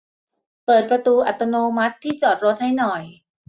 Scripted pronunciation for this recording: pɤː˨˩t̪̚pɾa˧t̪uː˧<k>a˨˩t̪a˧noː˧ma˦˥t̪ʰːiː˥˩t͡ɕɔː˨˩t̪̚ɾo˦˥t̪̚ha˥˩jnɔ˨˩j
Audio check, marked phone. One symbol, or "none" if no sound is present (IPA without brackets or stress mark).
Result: ʔ